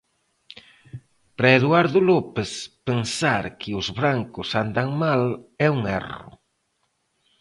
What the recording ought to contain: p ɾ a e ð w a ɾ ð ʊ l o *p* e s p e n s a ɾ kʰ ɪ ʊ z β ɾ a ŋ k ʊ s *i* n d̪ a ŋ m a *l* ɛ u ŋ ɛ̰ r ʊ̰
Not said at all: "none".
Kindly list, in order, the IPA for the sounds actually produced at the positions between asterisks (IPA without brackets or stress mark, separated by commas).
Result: p, a, l